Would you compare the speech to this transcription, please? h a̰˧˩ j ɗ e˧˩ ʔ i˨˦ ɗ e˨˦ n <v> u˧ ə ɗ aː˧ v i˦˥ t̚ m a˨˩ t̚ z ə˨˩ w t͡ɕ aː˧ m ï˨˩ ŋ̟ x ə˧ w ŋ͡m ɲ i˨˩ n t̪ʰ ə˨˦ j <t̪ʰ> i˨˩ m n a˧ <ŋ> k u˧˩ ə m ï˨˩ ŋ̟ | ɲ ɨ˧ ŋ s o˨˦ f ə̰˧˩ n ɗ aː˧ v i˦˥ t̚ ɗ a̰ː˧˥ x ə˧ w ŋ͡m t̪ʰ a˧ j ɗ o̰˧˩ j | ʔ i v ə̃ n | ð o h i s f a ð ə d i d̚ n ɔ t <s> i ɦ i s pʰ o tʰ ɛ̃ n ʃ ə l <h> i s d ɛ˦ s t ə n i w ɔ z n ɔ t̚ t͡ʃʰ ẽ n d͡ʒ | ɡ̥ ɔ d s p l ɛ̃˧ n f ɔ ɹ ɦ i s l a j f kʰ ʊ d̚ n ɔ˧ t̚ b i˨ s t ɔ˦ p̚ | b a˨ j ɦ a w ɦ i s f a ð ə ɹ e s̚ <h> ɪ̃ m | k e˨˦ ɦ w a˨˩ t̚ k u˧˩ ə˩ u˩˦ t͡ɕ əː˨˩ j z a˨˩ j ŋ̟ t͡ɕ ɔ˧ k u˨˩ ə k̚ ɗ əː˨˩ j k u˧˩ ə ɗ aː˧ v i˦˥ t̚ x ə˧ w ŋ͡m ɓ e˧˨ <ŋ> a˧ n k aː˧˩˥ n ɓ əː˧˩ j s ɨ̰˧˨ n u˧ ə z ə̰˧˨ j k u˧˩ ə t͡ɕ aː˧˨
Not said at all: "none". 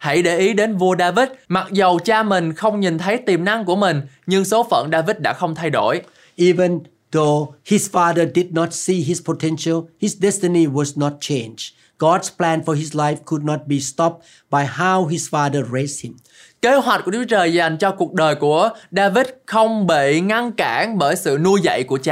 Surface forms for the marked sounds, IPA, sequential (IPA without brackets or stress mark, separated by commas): v, t̪, ŋ, s, h, h, ŋ